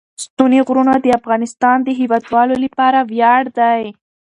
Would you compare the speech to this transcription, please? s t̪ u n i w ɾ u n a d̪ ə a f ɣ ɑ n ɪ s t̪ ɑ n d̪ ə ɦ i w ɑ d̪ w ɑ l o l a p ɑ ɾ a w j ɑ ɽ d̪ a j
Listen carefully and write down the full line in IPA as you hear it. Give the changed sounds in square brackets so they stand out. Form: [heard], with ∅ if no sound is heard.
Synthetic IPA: s t̪ u n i [ɣ] ɾ u n a d̪ ə a f ɣ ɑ n ɪ s t̪ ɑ n d̪ ə ɦ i w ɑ d̪ w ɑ l o l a p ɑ ɾ a w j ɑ ɽ d̪ a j